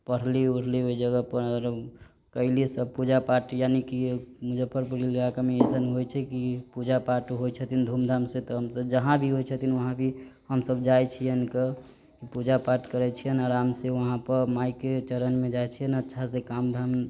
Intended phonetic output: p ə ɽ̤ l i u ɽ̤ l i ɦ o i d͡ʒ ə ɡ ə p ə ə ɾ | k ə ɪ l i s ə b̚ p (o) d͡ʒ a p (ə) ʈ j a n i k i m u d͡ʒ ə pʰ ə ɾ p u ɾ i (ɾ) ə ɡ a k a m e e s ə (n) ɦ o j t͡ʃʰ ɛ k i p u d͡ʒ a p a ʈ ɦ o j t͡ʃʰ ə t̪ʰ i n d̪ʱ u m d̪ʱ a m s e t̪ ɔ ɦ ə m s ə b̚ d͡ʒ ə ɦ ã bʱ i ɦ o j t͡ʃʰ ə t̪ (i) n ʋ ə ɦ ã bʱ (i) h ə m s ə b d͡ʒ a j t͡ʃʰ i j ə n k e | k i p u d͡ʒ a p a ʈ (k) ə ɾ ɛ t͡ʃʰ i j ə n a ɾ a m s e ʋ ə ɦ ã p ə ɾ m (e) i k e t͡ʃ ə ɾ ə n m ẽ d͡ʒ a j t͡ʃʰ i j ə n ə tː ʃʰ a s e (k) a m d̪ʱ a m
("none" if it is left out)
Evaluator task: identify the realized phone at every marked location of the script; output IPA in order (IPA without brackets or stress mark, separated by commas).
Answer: u, a, l, n, i, i, k, a, k